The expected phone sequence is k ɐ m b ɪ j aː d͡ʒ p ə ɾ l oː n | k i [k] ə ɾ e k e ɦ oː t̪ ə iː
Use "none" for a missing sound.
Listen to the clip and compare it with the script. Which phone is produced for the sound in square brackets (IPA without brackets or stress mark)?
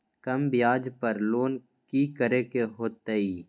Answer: k